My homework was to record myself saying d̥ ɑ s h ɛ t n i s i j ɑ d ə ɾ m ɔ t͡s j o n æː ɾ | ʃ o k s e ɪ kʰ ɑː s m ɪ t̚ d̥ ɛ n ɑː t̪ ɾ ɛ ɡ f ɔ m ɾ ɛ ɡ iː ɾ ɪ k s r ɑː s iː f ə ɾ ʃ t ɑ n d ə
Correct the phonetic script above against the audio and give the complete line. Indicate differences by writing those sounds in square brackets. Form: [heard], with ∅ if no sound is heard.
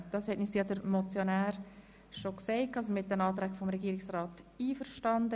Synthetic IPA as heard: d̥ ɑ s h ɛ t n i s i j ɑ d ə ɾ m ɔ t͡s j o n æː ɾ | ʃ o k s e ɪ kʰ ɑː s m ɪ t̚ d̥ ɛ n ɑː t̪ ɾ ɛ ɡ f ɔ m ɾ ɛ ɡ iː ɾ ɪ k s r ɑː [t] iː f ə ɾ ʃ t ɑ n d ə

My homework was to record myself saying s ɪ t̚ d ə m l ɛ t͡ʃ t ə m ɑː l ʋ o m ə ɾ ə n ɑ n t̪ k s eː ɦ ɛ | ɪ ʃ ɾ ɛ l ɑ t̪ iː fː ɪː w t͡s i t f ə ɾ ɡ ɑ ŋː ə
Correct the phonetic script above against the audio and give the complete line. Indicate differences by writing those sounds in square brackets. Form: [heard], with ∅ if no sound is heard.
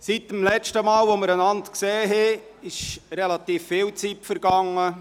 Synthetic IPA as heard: s [i] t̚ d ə m l ɛ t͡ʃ t ə m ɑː l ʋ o m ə ɾ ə n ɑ n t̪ k s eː ɦ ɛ | ɪ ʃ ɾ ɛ l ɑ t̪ iː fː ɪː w t͡s i t f ə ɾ ɡ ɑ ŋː ə

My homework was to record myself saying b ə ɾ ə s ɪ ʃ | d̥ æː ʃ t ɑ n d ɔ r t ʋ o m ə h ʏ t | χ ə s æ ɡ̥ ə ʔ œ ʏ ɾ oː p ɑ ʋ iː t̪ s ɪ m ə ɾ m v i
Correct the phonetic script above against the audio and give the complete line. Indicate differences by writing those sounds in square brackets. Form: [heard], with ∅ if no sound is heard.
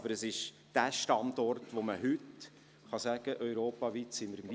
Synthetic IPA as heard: b ə ɾ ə s ɪ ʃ | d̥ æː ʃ t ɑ n d ɔ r t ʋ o m ə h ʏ t | χ [ɑ] s æ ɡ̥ ə ʔ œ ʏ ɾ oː p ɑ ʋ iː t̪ s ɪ m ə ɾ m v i

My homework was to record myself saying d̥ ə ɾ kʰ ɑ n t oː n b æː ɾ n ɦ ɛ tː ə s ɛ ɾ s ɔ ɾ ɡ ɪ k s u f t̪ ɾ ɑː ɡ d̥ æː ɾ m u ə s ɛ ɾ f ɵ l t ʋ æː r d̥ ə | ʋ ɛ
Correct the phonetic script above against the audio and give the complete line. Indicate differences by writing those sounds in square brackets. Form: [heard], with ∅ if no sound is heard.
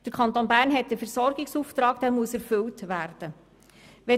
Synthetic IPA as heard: d̥ ə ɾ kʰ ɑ n t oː n b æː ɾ n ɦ ɛ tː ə [f] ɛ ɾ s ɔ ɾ ɡ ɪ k s u f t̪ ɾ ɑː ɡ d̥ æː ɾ m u ə s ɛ ɾ f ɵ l t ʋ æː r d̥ ə | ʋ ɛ

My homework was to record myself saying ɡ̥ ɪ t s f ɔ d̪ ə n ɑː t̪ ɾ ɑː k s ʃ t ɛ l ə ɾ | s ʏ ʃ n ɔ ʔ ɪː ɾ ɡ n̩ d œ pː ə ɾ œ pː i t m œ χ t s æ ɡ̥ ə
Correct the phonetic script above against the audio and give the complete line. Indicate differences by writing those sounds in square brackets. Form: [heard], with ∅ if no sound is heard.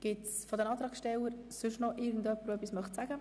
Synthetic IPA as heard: ɡ̥ ɪ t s f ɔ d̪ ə n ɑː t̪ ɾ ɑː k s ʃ t ɛ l ə ɾ | s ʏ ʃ n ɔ ʔ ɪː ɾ ɡ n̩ d œ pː ə ɾ œ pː i [s] m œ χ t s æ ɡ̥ ə

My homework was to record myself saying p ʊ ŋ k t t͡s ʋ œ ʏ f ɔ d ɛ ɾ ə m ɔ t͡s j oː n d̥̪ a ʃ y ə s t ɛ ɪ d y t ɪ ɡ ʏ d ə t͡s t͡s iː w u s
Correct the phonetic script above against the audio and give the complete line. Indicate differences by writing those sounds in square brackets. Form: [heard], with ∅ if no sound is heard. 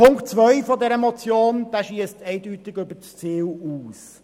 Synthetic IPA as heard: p ʊ ŋ k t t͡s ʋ œ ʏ f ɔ d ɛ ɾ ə m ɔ t͡s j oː n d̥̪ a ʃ [i] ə s t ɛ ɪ d y t ɪ ɡ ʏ [b] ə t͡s t͡s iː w [uː] s

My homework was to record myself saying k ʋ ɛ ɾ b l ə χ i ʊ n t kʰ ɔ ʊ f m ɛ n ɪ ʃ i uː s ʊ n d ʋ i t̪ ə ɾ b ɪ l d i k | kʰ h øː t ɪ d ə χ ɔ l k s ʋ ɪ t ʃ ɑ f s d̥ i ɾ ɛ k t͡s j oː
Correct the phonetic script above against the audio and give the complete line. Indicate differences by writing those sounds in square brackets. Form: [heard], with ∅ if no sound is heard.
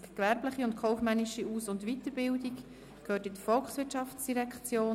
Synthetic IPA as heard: k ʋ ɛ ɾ b l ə χ i ʊ n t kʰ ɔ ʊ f m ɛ n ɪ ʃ i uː s ʊ n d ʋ i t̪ ə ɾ b ɪ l d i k | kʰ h øː t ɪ d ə [f] ɔ l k s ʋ ɪ t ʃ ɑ f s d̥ i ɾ ɛ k t͡s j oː

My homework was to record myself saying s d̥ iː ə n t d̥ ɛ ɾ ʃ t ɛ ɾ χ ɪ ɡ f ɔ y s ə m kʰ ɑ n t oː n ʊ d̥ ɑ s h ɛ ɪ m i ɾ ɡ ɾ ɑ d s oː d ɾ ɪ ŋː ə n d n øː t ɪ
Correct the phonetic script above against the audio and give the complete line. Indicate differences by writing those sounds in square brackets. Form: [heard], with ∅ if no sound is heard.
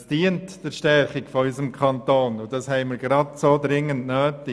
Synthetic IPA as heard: s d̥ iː ə n t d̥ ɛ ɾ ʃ t ɛ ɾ χ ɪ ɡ f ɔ y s ə m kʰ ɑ n t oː n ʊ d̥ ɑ s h ɛ ɪ m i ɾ ɡ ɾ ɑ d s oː d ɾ ɪ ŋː ə n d n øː t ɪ

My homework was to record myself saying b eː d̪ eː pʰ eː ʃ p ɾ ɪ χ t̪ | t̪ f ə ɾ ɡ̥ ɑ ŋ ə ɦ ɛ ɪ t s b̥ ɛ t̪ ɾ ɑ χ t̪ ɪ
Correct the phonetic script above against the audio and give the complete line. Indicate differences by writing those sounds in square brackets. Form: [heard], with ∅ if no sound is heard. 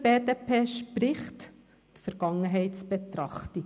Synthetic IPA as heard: b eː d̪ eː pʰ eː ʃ p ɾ ɪ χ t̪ | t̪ f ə ɾ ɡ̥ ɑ ŋ ə ɦ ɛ ɪ t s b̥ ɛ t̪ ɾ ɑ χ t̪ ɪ

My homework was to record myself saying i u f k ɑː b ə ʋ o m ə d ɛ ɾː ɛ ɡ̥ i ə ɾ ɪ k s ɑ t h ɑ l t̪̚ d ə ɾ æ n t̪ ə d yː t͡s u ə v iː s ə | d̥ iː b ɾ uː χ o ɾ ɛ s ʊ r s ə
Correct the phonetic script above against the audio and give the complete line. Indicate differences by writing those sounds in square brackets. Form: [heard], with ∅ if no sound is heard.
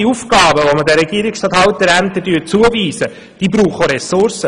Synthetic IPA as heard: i u f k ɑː b ə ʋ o m ə d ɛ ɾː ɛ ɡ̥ i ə ɾ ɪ k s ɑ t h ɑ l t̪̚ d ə ɾ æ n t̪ ə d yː t͡s u ə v iː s ə | d̥ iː b ɾ uː χ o ɾ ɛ s ʊ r s ə

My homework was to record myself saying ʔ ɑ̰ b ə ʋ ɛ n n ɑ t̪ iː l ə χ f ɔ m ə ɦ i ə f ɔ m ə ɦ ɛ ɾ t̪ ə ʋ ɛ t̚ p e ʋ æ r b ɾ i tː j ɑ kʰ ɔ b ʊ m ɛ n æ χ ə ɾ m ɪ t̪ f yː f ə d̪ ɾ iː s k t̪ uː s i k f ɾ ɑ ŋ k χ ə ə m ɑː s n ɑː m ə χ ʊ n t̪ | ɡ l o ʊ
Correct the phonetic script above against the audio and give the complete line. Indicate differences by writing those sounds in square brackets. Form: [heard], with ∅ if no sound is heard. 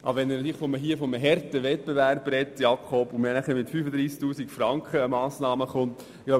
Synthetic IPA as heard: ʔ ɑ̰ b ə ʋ ɛ n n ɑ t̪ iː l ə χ f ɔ m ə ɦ i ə f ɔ m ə ɦ ɛ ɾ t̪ ə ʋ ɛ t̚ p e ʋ æ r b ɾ [ɛ] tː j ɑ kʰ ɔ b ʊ m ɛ n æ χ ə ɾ m ɪ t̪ f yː f ə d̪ ɾ iː s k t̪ uː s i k f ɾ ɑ ŋ k χ ə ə m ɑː s n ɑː m ə χ ʊ n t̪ | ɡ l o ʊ

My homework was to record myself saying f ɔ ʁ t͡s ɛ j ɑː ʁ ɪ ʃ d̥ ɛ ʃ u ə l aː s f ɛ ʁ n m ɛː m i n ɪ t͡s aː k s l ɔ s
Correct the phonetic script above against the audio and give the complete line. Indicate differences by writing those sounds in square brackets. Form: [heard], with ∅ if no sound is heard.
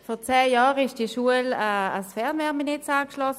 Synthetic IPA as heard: f ɔ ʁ t͡s [ɛː] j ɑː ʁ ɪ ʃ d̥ [i] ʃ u ə l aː s f ɛ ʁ n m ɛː m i n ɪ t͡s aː k [ʃ] l ɔ s

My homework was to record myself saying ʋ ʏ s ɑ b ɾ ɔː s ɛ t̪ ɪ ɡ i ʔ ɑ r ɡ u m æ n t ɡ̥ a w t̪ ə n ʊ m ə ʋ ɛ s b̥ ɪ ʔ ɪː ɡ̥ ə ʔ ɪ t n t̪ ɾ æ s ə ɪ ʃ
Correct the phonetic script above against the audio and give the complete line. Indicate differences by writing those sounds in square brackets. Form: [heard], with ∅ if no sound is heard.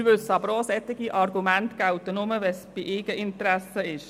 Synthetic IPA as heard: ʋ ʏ s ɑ b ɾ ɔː s ɛ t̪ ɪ ɡ i ʔ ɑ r ɡ u m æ n t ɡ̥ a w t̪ ə n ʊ m ə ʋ ɛ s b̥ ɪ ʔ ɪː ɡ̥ ə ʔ ɪ [∅] n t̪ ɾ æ s ə ɪ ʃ

